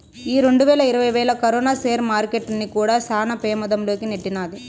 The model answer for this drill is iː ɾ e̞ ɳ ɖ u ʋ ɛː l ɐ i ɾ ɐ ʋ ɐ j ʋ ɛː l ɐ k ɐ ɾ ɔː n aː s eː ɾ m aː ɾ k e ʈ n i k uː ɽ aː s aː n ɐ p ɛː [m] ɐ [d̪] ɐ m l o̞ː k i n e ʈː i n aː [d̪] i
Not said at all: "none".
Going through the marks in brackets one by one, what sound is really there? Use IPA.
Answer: m, d̪, d̪

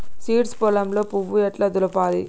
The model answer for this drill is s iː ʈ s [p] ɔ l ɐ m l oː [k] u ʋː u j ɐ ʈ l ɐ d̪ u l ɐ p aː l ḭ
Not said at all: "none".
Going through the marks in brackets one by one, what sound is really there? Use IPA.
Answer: p, p

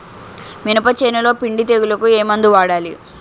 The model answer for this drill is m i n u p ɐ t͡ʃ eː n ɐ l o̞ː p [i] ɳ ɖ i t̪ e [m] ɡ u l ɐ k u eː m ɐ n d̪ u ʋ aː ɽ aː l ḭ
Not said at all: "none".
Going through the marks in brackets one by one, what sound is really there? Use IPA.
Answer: i, none

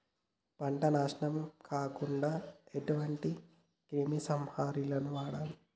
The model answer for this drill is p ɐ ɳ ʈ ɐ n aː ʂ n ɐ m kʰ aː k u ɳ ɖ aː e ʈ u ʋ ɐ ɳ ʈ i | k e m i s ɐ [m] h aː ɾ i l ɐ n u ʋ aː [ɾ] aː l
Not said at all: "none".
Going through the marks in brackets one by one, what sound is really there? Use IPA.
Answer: m, ɽ

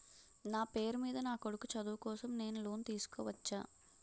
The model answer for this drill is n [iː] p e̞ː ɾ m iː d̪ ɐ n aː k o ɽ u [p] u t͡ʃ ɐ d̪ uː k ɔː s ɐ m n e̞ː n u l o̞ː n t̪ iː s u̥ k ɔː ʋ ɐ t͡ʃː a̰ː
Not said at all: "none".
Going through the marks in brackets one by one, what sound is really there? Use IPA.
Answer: aː, k

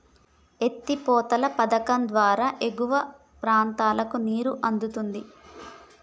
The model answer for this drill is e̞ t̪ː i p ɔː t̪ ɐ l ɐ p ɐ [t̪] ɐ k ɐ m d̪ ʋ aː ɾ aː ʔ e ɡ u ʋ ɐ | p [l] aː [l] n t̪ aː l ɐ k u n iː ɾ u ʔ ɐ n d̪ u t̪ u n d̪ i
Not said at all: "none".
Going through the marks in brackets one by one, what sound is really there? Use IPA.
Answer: d̪, ɾ, none

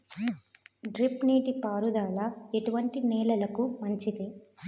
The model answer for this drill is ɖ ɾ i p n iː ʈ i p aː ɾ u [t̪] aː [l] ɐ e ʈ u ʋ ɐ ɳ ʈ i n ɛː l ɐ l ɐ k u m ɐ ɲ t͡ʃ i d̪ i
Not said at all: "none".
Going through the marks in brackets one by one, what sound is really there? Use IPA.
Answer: d̪, l

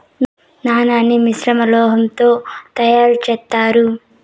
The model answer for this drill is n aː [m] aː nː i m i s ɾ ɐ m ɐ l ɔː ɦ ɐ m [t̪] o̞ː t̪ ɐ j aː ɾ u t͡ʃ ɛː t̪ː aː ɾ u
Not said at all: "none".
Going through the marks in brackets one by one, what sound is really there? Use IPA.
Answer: n, t̪

